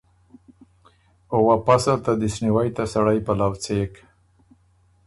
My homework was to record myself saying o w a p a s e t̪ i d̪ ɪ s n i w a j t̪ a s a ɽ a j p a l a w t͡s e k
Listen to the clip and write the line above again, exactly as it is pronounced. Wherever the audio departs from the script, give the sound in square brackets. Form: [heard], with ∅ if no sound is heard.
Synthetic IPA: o w a p a s [a] t̪ [a] d̪ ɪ s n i w a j t̪ a s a ɽ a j p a l a w t͡s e k